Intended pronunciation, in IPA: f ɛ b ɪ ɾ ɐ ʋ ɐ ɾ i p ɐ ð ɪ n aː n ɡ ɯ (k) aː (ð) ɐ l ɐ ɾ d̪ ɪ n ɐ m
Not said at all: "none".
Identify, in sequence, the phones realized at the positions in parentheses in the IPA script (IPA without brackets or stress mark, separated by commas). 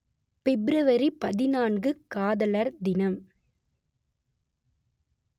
k, ð